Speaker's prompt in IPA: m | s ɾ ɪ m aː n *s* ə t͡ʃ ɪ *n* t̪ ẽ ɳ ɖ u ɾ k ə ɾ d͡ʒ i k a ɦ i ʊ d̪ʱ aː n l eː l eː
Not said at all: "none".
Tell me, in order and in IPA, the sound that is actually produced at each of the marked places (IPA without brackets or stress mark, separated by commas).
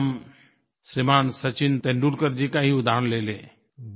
s, n